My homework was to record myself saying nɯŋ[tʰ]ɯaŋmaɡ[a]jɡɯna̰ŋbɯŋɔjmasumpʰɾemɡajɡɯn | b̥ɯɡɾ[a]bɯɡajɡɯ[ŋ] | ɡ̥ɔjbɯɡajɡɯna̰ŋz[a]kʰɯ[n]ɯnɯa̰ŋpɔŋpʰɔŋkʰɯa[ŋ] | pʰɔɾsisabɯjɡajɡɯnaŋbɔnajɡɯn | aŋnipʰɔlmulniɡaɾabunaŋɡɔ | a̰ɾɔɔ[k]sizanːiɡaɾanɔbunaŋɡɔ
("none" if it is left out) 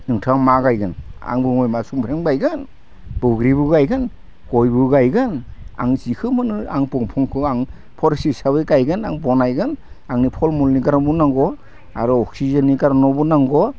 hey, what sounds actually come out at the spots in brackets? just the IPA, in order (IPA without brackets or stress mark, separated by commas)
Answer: tʰ, a, i, n, i, m, ŋ, k